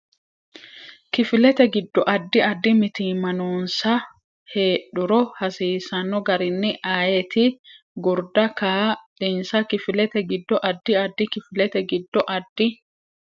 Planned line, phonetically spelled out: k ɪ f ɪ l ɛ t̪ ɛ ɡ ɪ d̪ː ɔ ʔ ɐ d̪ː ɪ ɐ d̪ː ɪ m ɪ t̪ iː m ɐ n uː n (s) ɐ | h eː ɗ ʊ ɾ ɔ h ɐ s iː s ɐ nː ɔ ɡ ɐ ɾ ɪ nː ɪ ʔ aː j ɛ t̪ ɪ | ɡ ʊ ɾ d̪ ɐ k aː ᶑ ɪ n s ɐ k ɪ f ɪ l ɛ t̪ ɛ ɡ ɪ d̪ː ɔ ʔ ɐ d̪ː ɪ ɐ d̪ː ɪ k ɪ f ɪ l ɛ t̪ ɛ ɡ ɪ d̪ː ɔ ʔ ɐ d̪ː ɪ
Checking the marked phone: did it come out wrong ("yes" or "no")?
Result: no